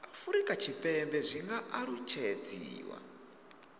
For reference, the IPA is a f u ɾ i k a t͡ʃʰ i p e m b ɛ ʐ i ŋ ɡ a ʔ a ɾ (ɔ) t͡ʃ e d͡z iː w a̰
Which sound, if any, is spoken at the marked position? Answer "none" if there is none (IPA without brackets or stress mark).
u